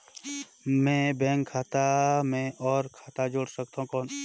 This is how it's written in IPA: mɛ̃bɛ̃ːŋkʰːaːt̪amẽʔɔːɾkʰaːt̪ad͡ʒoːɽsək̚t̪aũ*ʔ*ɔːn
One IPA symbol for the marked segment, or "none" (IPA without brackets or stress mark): k